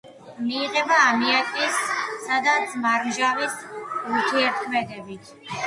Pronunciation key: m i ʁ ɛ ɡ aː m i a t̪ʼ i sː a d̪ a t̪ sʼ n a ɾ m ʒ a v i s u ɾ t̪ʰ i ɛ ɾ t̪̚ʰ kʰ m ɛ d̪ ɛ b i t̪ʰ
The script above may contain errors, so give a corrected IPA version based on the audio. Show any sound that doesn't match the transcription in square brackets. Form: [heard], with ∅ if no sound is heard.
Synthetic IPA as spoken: m [iː] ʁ ɛ [b] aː m i a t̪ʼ i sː a d̪ a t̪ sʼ [m] a ɾ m ʒ a v i s u ɾ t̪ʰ i ɛ ɾ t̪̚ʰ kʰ m ɛ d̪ ɛ b i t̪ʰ